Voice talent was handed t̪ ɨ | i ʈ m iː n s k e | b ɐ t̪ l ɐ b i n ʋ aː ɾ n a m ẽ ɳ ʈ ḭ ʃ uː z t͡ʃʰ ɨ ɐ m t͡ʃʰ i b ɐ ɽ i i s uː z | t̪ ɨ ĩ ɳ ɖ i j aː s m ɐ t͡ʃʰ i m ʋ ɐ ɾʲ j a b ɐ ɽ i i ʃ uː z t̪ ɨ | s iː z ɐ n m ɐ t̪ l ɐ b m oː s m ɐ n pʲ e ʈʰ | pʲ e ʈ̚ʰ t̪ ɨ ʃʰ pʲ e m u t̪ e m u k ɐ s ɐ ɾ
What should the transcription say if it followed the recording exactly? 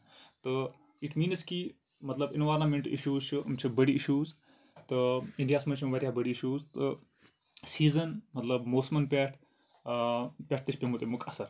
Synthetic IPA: t̪ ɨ | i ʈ m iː n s k i | m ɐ t̪ l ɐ b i n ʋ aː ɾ n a m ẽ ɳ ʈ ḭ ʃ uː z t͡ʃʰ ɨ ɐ m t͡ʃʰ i b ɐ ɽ i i ʃ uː z | t̪ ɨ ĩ ɳ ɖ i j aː s m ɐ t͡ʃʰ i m ʋ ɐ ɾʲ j a b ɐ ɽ i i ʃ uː z t̪ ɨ | s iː z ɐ n m ɐ t̪ l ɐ b m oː s m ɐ n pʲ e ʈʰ | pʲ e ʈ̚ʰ t̪ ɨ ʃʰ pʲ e m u t̪ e m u k ɐ s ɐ ɾ

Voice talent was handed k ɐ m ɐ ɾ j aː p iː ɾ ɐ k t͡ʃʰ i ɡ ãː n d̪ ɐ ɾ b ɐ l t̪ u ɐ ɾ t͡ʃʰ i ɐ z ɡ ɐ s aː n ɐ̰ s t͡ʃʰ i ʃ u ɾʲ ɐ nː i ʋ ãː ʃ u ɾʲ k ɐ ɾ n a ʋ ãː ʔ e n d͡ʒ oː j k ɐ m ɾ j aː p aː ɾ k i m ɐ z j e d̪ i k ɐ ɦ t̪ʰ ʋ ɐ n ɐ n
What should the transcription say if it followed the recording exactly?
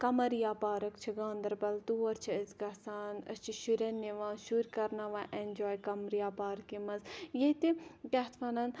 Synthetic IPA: k ɐ m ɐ ɾ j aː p aː ɾ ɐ k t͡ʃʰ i ɡ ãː n d̪ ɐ ɾ b ɐ l t̪ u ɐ ɾ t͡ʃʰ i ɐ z ɡ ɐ s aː n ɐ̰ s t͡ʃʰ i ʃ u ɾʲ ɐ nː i ʋ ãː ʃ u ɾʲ k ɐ ɾ n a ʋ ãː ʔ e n d͡ʒ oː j k ɐ m ɾ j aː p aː ɾ k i m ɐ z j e t̪ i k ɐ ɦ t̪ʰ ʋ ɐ n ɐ n

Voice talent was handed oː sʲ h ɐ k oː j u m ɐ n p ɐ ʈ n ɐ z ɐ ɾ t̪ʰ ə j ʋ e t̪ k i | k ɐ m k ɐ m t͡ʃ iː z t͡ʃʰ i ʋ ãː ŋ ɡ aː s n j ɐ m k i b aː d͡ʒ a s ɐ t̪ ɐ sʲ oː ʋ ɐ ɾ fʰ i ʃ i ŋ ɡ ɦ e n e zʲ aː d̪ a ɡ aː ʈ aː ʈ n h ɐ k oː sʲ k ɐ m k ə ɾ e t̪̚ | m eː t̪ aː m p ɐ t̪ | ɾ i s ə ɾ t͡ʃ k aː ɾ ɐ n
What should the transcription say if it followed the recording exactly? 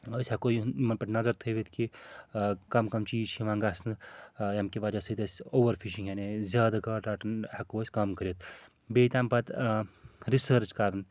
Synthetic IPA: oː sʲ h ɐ k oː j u m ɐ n p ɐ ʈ n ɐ z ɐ ɾ t̪ʰ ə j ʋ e t̪ k i | k ɐ m k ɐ m t͡ʃ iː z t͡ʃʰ i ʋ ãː ŋ ɡ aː s n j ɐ m k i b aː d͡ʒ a s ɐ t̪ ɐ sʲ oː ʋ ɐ ɾ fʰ i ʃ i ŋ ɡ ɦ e n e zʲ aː d̪ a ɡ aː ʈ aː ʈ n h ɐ k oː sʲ k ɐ m k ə ɾ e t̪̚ | b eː t̪ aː m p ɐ t̪ | ɾ i s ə ɾ t͡ʃ k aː ɾ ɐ n

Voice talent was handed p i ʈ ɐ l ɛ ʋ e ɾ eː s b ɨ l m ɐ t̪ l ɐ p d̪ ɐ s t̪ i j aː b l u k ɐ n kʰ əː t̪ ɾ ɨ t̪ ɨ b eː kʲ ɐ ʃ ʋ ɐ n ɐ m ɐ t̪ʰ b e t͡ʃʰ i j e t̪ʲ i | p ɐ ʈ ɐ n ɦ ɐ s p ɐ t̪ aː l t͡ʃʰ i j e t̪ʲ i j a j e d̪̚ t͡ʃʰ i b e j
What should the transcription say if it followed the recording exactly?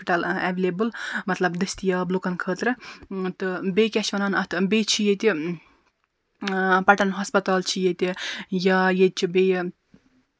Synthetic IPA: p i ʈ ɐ l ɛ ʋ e l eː b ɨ l m ɐ t̪ l ɐ b d̪ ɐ s t̪ i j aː b l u k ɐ n kʰ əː t̪ ɾ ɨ t̪ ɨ b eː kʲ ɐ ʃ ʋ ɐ n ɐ n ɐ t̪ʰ b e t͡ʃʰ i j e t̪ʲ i | p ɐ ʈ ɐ n ɦ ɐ s p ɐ t̪ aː l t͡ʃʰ i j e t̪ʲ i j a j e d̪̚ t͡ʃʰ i b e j

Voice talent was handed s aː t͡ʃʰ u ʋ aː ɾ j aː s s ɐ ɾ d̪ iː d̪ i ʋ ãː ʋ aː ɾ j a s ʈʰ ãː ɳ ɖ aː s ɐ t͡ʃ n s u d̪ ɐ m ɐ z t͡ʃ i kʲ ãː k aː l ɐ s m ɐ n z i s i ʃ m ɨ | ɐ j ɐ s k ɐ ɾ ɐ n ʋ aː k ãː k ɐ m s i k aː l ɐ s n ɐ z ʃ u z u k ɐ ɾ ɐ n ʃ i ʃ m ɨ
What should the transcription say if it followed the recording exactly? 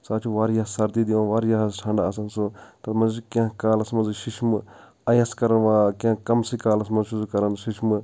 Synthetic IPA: s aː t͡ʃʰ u ʋ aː ɾ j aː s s ɐ ɾ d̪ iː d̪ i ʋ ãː ʋ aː ɾ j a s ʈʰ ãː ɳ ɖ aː s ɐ n s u t̪ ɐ m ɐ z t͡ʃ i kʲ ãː k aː l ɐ s m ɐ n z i ʃ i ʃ m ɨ | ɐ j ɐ s k ɐ ɾ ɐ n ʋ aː k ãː k ɐ m s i k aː l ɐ s m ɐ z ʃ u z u k ɐ ɾ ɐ n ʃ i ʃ m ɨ

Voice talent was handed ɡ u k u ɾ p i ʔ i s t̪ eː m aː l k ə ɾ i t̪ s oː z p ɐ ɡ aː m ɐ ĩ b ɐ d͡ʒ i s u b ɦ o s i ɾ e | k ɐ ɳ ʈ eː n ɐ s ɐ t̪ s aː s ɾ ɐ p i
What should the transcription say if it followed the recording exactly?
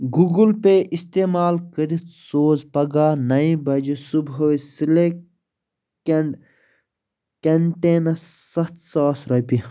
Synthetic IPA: ɡ u ɡ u l p e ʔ i s t̪ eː m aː l k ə ɾ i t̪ s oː z p ɐ ɡ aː n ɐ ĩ b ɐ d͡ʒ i s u b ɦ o s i l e | k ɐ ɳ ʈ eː n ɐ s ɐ t̪ s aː s ɾ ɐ p i

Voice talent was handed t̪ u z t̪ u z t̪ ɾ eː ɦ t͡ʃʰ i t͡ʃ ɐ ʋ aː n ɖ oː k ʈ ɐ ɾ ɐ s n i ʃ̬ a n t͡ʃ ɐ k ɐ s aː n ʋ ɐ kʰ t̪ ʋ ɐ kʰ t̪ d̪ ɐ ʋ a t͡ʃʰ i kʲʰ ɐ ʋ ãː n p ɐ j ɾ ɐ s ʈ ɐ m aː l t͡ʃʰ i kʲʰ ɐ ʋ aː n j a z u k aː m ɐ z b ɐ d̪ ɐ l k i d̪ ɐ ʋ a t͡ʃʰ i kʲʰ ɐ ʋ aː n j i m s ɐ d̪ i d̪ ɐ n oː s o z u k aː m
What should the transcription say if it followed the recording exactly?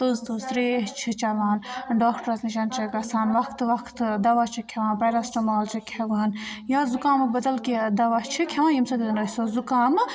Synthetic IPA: t̪ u z t̪ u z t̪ ɾ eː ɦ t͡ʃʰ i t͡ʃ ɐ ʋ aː n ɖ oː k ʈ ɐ ɾ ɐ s n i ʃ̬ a n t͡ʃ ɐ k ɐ s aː n ʋ ɐ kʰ t̪ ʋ ɐ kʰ t̪ d̪ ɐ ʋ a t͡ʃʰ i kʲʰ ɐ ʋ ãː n p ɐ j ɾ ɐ s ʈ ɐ m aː l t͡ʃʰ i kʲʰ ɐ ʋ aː n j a z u k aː m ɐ b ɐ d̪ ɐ l k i d̪ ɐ ʋ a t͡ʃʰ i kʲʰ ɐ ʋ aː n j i m s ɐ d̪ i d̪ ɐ n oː s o z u k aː m

